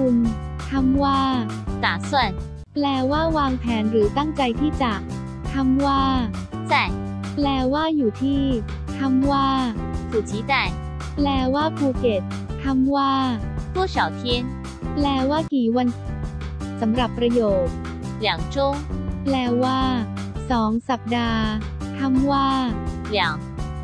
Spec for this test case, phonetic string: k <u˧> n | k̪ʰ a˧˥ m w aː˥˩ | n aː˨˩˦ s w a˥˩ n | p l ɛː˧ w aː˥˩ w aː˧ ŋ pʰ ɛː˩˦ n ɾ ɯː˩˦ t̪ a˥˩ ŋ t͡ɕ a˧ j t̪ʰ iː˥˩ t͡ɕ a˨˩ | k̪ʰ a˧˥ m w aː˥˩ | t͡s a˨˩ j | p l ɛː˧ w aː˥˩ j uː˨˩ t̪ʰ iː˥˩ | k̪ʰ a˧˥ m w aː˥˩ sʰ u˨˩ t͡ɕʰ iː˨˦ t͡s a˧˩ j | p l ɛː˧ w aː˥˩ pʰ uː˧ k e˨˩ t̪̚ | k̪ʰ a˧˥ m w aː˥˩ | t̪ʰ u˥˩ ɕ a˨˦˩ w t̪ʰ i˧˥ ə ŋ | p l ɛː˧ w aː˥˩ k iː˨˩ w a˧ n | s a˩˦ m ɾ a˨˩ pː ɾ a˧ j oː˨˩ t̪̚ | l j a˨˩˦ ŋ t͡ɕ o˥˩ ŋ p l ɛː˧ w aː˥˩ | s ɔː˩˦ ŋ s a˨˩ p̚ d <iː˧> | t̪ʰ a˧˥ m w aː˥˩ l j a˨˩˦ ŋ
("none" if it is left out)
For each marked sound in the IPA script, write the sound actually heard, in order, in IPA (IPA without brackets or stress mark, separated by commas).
u˧, aː˧